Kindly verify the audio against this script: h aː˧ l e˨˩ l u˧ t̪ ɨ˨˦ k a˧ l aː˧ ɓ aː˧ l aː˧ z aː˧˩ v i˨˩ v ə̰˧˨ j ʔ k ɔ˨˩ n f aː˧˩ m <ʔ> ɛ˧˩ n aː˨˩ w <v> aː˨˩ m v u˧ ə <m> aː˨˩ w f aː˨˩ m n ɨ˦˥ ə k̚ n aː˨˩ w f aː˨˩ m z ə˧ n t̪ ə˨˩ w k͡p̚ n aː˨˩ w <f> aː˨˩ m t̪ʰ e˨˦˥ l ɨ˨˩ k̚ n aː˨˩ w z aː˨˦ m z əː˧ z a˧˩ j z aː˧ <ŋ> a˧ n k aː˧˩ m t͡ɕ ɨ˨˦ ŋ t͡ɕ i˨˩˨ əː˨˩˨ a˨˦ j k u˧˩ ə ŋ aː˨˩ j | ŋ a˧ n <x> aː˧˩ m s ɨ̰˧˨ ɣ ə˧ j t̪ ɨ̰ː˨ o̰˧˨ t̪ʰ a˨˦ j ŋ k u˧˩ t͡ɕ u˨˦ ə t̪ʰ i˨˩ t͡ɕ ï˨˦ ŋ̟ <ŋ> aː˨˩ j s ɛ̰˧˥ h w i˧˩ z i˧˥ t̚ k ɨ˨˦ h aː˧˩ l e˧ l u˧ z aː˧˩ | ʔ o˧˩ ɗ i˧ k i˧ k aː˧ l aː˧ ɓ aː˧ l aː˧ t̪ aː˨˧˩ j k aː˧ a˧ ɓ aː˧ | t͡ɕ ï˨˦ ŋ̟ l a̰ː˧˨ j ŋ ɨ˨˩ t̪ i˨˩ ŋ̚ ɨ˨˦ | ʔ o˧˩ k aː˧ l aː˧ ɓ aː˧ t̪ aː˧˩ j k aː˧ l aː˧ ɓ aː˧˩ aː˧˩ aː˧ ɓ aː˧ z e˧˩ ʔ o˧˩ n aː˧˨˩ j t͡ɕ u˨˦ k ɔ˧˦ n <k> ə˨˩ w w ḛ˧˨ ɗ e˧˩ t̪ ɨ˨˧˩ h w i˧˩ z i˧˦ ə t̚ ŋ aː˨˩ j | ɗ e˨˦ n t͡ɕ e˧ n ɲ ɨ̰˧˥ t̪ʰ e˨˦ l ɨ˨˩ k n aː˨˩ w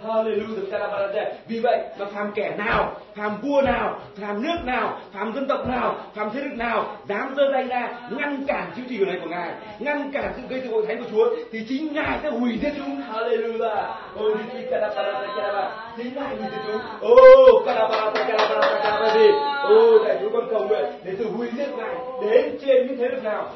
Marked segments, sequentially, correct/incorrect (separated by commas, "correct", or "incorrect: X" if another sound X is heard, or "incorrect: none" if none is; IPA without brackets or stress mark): incorrect: k, incorrect: f, incorrect: n, correct, correct, incorrect: k, correct, correct